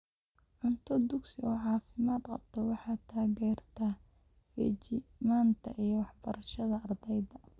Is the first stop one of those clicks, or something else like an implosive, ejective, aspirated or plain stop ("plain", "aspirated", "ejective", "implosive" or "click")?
aspirated